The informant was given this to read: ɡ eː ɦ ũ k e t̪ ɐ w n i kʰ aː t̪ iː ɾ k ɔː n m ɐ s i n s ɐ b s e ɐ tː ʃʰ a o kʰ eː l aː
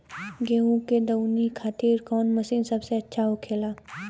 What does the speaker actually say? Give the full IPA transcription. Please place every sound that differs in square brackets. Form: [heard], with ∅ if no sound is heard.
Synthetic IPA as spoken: ɡ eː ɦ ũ k e [d̪] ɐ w n i kʰ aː t̪ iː ɾ k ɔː n m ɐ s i n s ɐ b s e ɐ tː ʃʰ a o kʰ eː l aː